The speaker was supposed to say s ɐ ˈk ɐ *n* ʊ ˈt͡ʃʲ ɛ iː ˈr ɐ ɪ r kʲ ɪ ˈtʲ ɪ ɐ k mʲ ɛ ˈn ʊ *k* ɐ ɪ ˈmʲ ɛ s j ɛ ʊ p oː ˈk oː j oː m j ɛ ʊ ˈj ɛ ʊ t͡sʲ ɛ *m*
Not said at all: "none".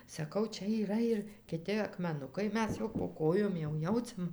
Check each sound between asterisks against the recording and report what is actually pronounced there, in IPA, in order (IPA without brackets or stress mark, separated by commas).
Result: none, k, m